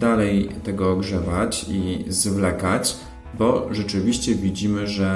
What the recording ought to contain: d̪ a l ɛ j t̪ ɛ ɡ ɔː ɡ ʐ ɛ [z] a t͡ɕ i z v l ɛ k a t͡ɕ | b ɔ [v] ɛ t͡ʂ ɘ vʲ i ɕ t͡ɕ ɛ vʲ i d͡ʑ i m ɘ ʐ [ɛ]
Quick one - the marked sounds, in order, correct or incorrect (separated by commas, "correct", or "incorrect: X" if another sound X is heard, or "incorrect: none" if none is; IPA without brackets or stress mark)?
incorrect: v, incorrect: ʐ, correct